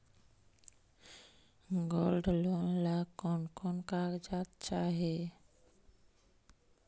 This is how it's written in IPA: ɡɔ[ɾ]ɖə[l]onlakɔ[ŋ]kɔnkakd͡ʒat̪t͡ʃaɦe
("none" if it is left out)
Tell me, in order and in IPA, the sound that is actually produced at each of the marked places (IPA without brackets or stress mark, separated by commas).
l, l, n